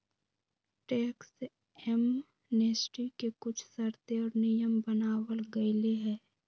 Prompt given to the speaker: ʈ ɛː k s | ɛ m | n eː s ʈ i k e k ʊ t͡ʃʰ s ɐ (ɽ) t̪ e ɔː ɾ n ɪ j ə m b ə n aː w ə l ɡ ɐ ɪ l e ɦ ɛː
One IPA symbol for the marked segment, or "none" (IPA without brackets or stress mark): ɾ